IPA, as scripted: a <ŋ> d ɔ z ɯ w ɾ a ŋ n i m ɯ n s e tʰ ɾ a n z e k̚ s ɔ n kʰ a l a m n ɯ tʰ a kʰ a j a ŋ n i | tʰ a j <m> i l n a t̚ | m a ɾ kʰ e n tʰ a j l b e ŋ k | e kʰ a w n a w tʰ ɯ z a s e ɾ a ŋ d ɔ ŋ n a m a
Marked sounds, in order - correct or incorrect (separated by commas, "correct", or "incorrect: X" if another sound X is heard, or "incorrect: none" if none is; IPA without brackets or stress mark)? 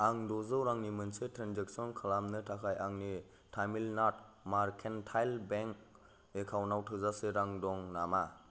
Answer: correct, correct